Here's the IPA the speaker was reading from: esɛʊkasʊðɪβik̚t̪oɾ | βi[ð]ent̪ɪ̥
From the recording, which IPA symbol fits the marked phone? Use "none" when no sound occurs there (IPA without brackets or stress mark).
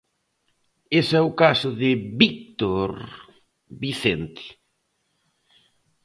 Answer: θ